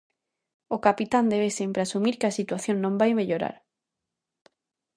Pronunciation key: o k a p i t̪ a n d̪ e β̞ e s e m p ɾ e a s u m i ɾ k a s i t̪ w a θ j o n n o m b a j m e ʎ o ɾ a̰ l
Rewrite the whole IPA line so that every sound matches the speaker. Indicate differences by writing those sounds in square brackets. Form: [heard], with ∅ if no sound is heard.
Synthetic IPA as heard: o k a p i t̪ a n d̪ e β̞ e s e m p ɾ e a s u m i ɾ k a s i t̪ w a θ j o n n [õ] m b a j m e ʎ o ɾ a̰ [ɾ]